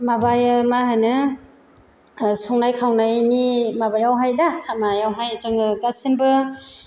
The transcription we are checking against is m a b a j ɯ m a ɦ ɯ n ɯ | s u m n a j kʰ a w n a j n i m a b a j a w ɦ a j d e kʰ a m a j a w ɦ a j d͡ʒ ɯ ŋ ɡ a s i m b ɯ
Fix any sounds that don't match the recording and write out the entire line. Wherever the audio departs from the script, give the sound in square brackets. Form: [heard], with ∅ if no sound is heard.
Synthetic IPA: m a b a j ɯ m a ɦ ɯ n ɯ | s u [ŋ] n a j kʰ a w n a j n i m a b a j a w ɦ a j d [a] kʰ a m a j a w ɦ a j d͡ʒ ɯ ŋ ɡ a s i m b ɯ

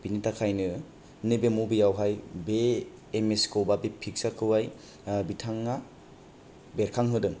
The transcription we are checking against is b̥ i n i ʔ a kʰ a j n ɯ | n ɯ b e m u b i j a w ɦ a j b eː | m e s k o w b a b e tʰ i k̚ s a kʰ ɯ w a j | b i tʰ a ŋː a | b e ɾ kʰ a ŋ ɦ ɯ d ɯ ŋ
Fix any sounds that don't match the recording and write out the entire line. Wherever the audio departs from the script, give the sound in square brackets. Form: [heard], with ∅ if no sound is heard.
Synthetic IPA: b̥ i n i [t] a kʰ a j n ɯ | n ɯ b e m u b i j a w ɦ a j b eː | m e s k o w b a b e [pʰ] i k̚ s a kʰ ɯ w a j | b i tʰ a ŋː a | b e ɾ kʰ a ŋ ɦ ɯ d ɯ ŋ

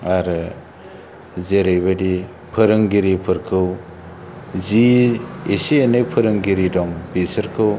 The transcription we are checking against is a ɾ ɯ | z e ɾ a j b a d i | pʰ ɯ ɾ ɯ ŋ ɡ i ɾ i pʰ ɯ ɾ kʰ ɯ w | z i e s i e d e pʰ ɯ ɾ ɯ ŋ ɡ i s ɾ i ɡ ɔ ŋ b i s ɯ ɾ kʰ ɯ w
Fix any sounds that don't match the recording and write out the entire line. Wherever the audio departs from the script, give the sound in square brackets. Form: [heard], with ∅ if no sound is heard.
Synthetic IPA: a ɾ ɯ | z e ɾ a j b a d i | pʰ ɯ ɾ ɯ ŋ ɡ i ɾ i pʰ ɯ ɾ kʰ ɯ w | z i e s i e [n] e pʰ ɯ ɾ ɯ ŋ ɡ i [∅] ɾ i [d] ɔ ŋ b i s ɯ ɾ kʰ ɯ w

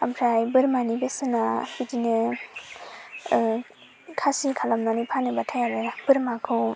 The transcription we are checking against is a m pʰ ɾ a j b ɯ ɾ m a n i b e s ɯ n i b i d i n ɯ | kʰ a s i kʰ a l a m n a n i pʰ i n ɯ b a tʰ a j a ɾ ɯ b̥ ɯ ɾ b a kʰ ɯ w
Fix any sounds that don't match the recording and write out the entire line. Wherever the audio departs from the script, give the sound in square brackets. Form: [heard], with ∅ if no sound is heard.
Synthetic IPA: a m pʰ ɾ a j b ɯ ɾ m a n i b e s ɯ n [a] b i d i n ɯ | kʰ a s i kʰ a l a m n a n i pʰ [a] n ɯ b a tʰ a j a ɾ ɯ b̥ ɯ ɾ [m] a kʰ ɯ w

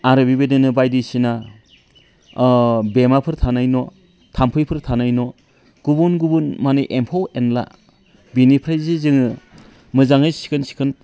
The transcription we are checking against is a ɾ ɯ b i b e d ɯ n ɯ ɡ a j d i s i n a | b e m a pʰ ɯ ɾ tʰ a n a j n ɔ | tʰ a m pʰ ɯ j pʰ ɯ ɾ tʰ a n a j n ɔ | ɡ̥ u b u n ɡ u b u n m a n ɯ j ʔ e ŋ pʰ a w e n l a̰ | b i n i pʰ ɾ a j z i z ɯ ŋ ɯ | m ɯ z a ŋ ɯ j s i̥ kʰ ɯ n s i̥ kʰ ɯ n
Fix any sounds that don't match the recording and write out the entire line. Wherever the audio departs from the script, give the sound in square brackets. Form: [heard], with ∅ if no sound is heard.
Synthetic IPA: a ɾ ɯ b i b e d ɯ n ɯ [b] a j d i s i n a | b e m a pʰ ɯ ɾ tʰ a n a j n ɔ | tʰ a m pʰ ɯ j pʰ ɯ ɾ tʰ a n a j n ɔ | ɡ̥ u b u n ɡ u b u n m a n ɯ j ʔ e [m] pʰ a w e n l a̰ | b i n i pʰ ɾ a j z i z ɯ ŋ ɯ | m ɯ z a ŋ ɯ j s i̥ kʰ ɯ n s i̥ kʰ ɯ n

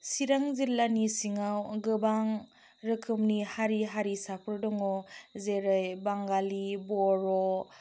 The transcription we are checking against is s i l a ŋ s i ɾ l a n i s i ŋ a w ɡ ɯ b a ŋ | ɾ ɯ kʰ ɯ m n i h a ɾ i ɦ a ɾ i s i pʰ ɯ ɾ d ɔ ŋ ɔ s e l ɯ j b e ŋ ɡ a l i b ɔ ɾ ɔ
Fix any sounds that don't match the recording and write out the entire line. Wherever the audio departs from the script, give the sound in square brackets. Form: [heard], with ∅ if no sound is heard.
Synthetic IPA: s i [ɾ] a ŋ [z] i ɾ l a n i s i ŋ a w ɡ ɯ b a ŋ | ɾ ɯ kʰ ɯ m n i h a ɾ i ɦ a ɾ i s [a] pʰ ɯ ɾ d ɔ ŋ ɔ [z] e [ɾ] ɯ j b [a] ŋ ɡ a l i b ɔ ɾ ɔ

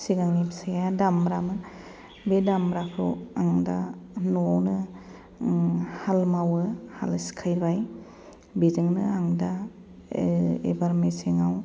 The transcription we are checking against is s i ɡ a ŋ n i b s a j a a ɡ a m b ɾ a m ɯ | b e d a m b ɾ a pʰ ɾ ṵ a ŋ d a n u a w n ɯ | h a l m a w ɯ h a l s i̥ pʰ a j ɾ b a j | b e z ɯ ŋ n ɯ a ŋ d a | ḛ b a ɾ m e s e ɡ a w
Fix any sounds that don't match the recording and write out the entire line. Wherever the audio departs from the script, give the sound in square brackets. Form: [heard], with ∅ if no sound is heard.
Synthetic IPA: s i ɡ a ŋ n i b s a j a a [d] a m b ɾ a m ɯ | b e d a m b ɾ a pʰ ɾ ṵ a ŋ d a n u a w n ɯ | h a l m a w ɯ h a l s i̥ [kʰ] a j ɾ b a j | b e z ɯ ŋ n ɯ a ŋ d a | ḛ b a ɾ m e s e [ŋ] a w

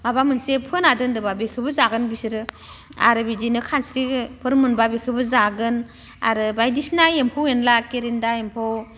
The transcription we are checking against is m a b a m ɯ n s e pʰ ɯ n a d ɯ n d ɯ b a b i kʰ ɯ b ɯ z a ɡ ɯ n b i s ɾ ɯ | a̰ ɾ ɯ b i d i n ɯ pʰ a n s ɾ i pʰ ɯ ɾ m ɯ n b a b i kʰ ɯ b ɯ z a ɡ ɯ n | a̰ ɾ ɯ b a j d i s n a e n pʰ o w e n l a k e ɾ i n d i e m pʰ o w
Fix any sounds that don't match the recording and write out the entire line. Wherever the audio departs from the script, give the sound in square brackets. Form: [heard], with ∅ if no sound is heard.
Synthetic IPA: m a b a m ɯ n s e pʰ ɯ n a d ɯ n d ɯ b a b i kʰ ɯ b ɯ z a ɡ ɯ n b i s ɾ ɯ | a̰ ɾ ɯ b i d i n ɯ [kʰ] a n s ɾ i pʰ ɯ ɾ m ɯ n b a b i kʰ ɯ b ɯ z a ɡ ɯ n | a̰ ɾ ɯ b a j d i s n a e [m] pʰ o w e n l a k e ɾ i n d [a] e m pʰ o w

